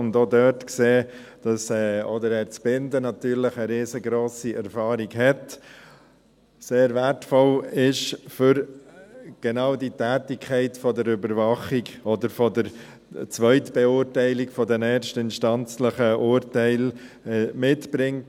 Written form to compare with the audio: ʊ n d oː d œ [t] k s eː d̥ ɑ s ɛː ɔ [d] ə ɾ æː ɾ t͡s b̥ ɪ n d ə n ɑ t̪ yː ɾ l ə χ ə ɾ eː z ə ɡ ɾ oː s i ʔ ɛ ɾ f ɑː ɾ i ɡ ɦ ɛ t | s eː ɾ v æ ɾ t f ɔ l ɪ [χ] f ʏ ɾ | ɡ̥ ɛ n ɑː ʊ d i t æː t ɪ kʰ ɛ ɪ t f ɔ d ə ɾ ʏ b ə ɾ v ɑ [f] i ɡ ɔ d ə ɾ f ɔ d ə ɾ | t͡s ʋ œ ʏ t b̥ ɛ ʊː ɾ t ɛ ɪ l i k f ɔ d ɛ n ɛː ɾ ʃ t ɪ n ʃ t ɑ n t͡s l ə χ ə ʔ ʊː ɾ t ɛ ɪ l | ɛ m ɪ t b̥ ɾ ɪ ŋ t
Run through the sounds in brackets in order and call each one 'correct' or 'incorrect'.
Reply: correct, correct, incorrect: ʃ, incorrect: χ

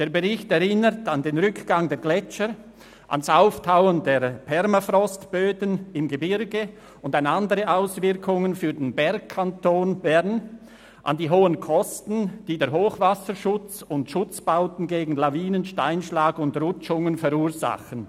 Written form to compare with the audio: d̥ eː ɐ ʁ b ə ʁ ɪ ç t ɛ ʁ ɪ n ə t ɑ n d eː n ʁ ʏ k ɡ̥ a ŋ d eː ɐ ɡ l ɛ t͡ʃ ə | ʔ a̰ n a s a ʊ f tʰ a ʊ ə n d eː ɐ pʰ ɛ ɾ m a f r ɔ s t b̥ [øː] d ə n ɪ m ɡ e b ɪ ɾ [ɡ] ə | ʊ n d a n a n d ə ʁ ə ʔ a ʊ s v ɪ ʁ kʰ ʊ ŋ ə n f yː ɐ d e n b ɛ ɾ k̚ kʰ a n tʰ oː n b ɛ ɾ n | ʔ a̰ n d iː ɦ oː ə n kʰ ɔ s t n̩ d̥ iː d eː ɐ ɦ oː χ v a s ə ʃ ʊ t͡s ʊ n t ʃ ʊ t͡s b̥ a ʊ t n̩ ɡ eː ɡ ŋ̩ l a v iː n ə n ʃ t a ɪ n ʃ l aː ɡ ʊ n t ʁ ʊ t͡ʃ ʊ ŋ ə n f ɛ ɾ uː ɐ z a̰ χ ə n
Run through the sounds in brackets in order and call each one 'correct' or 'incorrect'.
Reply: correct, correct

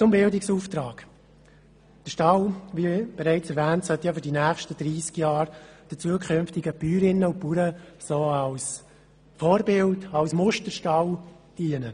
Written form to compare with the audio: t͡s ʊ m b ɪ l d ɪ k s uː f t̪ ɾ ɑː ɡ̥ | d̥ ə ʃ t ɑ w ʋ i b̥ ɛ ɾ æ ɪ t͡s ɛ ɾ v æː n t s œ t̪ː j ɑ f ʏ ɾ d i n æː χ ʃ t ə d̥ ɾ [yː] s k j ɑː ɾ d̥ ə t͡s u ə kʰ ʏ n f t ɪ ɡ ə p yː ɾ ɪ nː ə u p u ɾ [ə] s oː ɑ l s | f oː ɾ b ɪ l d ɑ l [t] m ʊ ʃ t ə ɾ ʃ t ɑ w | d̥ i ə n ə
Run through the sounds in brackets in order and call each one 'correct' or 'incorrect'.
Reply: incorrect: iː, correct, incorrect: s

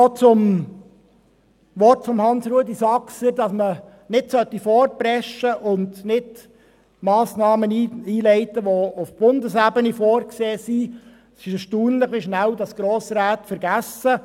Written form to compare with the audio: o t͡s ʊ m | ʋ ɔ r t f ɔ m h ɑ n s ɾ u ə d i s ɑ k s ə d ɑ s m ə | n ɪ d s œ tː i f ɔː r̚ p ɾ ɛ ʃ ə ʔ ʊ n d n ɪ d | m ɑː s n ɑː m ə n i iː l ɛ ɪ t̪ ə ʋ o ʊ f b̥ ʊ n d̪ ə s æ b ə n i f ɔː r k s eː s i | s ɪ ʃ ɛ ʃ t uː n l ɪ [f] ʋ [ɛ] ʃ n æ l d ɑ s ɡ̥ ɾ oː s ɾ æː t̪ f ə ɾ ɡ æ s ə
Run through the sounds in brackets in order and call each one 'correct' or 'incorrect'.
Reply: incorrect: χ, incorrect: i

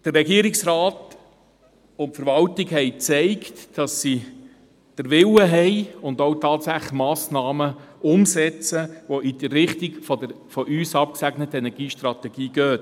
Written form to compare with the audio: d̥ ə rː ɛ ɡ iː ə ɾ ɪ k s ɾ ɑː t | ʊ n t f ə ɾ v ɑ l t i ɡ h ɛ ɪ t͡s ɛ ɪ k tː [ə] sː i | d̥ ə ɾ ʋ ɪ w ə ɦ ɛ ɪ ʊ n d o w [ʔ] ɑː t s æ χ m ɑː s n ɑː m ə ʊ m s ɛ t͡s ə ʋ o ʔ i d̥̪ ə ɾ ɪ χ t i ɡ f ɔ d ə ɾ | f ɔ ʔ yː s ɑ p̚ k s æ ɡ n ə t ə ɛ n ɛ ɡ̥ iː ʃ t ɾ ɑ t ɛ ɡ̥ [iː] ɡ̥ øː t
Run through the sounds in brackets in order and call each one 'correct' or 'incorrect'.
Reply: incorrect: ɑ, incorrect: t, correct

